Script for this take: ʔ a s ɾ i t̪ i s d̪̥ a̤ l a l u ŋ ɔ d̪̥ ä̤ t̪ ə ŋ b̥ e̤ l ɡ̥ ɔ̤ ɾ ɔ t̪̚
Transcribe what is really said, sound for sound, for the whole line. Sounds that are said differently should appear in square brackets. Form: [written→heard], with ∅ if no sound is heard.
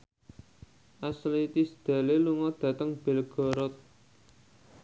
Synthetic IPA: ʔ a s [ɾ→l] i t̪ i s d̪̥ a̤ l [a→e] l u ŋ ɔ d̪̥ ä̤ t̪ ə ŋ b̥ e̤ l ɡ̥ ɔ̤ ɾ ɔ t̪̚